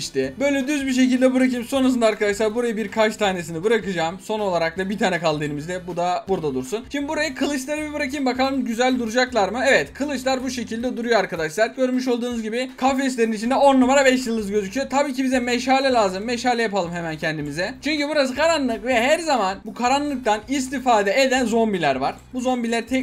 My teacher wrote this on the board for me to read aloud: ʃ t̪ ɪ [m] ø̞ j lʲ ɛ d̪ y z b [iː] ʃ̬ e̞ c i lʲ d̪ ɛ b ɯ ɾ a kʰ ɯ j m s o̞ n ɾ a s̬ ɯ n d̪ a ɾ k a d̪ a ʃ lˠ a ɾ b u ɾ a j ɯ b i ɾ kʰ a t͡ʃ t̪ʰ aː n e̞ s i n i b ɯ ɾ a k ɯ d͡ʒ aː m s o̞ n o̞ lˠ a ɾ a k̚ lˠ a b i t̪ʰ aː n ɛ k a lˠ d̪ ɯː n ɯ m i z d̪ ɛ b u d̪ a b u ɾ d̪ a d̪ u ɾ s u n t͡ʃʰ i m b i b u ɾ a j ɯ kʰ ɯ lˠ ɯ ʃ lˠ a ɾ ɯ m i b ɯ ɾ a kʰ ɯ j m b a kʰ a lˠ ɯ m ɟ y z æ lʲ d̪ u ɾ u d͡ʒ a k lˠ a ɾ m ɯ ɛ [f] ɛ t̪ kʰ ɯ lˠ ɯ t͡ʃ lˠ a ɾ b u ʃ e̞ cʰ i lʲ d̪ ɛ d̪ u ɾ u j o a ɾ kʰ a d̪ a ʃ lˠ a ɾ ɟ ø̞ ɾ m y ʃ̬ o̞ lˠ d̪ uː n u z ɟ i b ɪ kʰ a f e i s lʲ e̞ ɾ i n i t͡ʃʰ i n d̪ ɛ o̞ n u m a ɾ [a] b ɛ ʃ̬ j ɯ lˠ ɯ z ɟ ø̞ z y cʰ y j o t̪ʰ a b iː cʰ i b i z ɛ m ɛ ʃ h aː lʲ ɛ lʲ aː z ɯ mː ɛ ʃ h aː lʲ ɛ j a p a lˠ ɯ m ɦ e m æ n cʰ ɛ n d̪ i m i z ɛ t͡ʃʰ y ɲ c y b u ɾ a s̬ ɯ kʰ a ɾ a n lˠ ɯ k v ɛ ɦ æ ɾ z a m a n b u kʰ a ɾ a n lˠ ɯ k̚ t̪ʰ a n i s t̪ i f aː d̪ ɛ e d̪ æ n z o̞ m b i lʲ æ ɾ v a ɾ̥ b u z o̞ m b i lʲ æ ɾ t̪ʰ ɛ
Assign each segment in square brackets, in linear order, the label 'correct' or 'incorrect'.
incorrect: b, incorrect: i, incorrect: v, correct

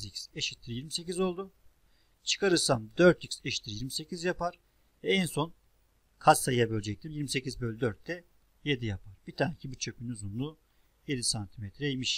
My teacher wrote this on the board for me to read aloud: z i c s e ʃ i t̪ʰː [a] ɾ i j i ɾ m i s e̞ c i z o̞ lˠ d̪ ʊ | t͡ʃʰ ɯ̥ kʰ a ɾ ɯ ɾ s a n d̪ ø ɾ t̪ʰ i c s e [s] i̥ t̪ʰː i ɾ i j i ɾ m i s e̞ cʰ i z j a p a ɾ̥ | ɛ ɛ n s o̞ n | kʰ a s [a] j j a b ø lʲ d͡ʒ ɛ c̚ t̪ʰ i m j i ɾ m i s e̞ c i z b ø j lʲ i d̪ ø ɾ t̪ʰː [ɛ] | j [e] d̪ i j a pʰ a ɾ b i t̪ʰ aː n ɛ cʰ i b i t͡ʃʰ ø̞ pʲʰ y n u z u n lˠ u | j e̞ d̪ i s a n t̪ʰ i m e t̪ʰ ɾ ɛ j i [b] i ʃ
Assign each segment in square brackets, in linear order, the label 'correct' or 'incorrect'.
incorrect: i, incorrect: ʃ, correct, correct, correct, incorrect: m

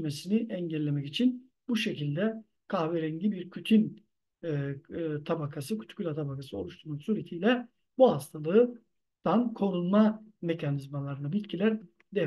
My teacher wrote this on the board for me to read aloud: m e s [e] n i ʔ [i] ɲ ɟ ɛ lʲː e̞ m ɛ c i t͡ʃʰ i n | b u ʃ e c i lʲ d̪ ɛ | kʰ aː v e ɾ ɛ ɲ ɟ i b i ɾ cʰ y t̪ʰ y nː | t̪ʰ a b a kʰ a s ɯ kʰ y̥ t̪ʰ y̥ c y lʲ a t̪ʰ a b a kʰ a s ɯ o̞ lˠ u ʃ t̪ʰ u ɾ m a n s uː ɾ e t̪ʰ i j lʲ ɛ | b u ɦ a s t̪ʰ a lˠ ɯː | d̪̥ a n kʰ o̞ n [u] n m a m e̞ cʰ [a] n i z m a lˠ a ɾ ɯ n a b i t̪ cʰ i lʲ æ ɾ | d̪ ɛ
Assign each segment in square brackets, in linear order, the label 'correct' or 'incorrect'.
incorrect: i, incorrect: ɛ, correct, correct

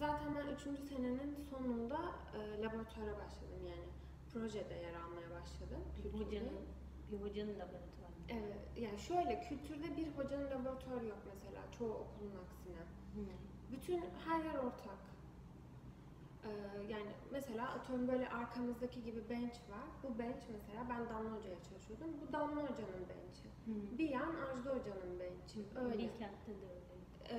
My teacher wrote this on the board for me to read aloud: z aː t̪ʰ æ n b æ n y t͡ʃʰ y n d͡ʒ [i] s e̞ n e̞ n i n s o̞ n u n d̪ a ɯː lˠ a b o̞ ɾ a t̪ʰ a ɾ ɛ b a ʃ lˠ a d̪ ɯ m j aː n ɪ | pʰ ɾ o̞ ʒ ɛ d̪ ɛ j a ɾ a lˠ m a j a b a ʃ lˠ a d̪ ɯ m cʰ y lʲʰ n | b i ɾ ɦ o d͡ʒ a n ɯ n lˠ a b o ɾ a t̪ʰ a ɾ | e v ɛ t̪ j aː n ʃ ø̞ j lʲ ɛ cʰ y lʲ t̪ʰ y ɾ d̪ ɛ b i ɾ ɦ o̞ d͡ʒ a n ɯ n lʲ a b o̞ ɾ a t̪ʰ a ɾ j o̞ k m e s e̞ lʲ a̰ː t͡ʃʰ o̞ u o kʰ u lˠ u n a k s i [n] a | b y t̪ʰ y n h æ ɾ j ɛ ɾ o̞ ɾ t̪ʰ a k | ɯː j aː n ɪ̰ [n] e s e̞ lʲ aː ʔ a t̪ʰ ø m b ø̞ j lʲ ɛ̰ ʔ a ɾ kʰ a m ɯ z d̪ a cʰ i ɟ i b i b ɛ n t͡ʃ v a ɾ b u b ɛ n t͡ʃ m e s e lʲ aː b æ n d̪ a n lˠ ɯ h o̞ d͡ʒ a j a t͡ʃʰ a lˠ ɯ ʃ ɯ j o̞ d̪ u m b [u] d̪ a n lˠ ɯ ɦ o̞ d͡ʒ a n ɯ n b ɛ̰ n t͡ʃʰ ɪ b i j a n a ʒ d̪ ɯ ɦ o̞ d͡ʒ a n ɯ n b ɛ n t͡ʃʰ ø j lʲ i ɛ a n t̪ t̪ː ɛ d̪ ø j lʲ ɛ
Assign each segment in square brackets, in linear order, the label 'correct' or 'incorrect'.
incorrect: y, correct, incorrect: m, correct

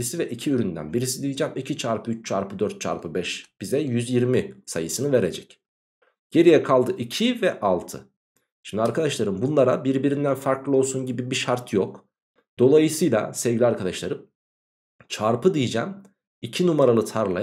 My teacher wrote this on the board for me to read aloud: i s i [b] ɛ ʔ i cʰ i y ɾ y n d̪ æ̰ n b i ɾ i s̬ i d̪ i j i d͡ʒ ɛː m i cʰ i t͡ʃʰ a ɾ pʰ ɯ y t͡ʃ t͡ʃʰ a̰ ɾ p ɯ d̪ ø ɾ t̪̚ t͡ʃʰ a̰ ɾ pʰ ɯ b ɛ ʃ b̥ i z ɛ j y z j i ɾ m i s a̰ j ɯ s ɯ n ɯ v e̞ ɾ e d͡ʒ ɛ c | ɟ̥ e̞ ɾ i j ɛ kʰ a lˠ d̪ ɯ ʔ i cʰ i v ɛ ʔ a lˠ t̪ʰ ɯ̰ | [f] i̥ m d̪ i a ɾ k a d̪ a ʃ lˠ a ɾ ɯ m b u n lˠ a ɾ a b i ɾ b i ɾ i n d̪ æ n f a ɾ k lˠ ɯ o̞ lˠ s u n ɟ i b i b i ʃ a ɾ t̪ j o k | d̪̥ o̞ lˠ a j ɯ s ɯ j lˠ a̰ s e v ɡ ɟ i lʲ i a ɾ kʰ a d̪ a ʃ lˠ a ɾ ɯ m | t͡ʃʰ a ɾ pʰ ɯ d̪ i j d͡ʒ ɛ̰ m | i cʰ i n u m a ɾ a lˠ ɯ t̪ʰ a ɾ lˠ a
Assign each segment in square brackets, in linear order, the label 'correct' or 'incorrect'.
incorrect: v, incorrect: ʃ

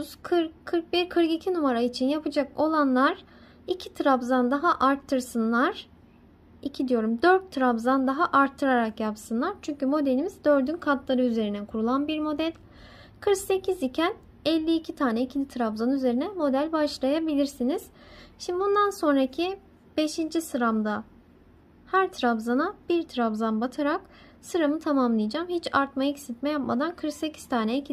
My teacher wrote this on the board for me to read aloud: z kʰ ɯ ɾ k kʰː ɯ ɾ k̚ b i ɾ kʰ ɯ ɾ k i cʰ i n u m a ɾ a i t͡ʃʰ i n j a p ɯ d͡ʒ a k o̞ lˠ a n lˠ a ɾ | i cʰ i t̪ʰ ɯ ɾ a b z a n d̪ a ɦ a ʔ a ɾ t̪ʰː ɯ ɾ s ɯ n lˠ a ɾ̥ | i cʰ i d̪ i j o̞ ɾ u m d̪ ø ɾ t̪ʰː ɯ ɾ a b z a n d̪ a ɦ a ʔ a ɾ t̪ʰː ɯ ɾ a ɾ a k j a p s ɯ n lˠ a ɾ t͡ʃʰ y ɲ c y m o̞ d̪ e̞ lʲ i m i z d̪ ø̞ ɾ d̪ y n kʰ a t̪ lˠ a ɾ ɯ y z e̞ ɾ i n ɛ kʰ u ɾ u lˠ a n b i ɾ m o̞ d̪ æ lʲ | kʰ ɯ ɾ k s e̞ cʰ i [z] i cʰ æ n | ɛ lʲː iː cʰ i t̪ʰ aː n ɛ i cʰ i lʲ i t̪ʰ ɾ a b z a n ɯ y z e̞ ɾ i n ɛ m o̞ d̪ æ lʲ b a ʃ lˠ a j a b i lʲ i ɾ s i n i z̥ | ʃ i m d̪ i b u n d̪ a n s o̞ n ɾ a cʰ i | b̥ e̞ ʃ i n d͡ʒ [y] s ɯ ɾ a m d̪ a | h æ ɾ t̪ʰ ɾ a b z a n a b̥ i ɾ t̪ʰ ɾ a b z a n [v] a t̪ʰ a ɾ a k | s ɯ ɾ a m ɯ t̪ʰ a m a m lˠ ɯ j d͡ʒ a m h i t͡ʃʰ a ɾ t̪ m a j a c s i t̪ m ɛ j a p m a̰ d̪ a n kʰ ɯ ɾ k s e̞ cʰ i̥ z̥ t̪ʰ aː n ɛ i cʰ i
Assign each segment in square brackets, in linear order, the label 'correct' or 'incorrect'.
correct, incorrect: i, incorrect: b

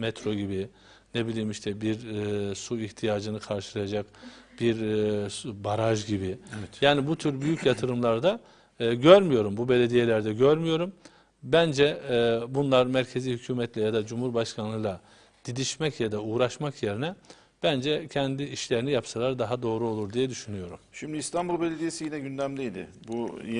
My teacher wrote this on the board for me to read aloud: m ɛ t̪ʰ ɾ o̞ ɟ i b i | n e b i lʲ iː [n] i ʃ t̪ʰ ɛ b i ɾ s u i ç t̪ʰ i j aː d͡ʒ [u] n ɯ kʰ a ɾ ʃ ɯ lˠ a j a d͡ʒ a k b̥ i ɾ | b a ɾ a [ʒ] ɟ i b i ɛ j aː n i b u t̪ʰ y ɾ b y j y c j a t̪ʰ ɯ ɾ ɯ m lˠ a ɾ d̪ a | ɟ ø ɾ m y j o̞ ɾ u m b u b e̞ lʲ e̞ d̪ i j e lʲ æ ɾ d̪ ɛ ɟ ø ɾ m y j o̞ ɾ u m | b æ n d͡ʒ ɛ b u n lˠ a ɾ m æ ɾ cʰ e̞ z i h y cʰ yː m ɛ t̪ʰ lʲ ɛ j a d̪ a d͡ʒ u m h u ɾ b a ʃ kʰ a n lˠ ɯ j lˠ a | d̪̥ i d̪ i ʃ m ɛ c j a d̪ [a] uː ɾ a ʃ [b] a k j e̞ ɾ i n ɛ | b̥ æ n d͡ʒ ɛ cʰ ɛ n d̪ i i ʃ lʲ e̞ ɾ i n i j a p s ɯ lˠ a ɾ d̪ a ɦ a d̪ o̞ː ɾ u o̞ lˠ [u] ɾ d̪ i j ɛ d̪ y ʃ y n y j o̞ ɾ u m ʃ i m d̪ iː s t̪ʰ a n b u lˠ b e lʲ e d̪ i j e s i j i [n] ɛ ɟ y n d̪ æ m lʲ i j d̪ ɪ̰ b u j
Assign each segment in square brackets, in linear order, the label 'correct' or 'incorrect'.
incorrect: m, incorrect: ɯ, correct, correct, incorrect: m, correct, correct

